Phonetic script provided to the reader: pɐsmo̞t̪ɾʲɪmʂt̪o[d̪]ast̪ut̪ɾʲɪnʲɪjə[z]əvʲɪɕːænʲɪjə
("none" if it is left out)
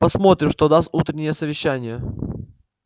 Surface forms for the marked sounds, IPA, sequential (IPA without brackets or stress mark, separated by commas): d̪, s